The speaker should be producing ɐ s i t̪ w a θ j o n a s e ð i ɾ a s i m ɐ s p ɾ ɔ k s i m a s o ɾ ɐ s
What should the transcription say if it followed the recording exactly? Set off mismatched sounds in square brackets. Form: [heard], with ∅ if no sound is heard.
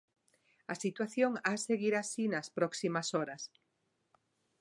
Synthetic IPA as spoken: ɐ s i t̪ w a θ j o [ŋ] a s e [ɣ] i ɾ a s i [n] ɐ s p ɾ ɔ k s i m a s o ɾ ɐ s